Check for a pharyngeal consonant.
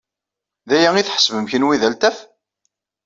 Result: present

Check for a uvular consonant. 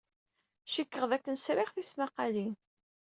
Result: present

